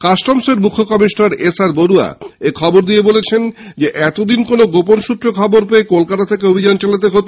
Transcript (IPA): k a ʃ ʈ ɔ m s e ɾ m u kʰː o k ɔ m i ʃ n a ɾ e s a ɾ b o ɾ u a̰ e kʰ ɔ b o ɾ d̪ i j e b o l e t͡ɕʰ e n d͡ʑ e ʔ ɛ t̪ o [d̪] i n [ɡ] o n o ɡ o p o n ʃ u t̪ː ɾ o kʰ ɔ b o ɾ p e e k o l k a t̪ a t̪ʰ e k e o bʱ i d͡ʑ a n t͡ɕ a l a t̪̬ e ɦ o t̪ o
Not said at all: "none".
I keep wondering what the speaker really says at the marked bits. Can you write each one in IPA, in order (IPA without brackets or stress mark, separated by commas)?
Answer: d̪, k